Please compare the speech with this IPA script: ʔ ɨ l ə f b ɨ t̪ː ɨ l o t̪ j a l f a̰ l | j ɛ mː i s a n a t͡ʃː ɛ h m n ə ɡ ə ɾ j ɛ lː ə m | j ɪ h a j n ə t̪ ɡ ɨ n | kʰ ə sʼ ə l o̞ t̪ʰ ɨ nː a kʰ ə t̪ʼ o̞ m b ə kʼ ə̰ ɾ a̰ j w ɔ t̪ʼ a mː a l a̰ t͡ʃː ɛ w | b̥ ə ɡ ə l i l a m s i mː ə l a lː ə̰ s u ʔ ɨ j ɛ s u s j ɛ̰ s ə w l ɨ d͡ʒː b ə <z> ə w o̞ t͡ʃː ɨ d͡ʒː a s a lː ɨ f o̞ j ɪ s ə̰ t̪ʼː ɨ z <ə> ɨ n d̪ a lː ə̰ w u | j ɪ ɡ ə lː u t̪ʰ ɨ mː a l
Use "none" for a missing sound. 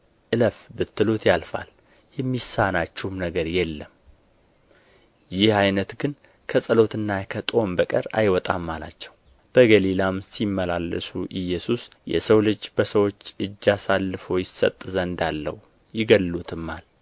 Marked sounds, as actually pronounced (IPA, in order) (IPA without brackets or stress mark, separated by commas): s, ə